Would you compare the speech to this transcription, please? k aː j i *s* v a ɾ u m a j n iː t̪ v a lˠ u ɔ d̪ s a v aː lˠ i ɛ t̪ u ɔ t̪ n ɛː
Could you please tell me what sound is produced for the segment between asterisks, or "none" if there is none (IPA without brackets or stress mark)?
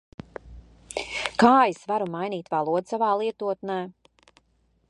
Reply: s